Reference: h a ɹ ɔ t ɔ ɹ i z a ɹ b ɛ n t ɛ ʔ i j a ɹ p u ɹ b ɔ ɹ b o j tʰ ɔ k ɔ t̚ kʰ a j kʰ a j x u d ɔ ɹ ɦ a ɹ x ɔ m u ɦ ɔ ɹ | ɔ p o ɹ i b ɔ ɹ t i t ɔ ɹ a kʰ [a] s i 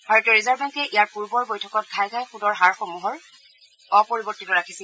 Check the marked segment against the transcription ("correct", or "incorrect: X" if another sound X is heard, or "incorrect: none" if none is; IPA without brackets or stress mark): incorrect: i